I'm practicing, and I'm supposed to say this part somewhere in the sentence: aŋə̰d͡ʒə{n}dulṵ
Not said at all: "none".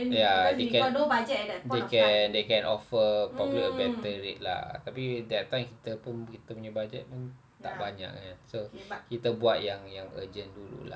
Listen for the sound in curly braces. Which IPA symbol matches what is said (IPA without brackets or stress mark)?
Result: n